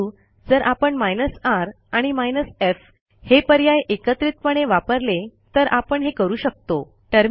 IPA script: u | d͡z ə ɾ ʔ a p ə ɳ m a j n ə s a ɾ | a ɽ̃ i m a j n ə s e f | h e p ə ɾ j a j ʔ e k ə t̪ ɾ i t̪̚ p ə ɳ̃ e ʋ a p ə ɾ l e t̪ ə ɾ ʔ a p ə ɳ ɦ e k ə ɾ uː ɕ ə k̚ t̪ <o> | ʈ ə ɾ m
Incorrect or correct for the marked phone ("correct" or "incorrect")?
correct